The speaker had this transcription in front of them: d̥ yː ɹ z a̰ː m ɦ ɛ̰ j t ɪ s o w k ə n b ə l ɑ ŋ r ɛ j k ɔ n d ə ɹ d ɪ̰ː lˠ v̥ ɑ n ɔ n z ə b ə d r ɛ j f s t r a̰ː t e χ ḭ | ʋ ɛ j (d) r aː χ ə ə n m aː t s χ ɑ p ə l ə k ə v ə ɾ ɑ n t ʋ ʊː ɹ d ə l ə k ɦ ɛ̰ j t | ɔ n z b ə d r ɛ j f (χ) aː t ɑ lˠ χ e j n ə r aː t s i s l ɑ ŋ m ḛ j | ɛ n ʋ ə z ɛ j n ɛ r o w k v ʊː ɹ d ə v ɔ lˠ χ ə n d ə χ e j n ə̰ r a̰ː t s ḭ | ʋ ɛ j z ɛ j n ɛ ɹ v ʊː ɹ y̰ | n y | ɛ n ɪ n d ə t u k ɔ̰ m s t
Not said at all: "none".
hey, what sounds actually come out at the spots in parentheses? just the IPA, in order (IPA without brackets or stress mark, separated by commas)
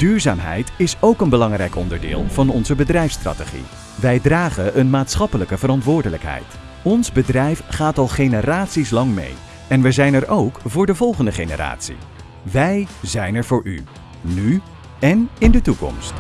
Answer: d, χ